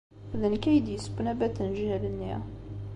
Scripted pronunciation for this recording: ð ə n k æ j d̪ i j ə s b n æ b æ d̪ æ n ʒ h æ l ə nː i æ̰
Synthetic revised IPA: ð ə n k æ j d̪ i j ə s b n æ b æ t̪ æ n ʒ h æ l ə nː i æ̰

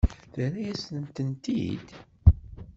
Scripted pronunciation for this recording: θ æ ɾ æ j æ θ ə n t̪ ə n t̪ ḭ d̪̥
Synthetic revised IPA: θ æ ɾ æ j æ s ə n t̪ ə n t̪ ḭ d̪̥

